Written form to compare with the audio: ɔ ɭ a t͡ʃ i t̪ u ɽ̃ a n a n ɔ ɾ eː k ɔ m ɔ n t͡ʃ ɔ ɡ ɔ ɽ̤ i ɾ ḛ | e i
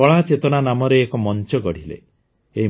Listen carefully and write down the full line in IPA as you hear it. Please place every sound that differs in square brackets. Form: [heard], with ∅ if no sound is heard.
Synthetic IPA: ɔ ɭ a t͡ʃ [e] t̪ [ɔ] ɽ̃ a n a [m] ɔ ɾ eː k ɔ m ɔ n t͡ʃ ɔ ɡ ɔ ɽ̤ i [l] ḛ | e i

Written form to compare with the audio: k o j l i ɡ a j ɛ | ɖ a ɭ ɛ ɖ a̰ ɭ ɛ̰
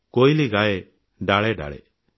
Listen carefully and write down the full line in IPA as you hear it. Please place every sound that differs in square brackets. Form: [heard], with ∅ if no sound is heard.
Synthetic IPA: k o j l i ɡ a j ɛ | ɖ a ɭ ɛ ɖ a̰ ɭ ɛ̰

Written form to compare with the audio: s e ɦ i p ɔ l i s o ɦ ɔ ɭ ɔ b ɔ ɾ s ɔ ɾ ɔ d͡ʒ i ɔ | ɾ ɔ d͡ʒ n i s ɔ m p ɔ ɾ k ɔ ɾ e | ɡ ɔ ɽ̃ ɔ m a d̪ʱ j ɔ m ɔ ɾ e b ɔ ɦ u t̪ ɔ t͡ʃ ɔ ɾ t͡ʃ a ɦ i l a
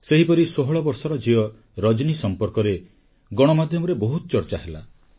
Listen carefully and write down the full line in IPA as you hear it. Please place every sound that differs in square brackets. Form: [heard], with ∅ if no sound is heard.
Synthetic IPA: s e ɦ i p ɔ [ɾ] i s o ɦ ɔ ɭ ɔ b ɔ ɾ s ɔ ɾ ɔ d͡ʒ i ɔ | ɾ ɔ d͡ʒ n i s ɔ m p ɔ ɾ k ɔ ɾ e | ɡ ɔ ɽ̃ ɔ m a d̪ʱ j ɔ m ɔ ɾ e b ɔ ɦ u t̪ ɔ t͡ʃ ɔ ɾ t͡ʃ a ɦ [e] l a

